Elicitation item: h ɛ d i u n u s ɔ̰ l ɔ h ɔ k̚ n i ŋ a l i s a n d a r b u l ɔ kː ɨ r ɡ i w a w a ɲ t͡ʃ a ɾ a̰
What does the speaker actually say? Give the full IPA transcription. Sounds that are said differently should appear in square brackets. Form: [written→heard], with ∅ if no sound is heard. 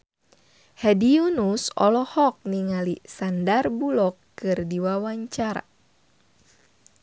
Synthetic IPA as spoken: h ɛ d i u n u s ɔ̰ l ɔ h ɔ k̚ n i ŋ a l i s a n d a r b u l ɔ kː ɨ r [ɡ→d] i w a w a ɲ t͡ʃ a ɾ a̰